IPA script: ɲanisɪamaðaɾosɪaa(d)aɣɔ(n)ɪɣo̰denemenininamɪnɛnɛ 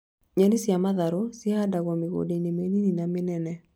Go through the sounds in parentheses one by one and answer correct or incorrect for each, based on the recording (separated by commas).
correct, incorrect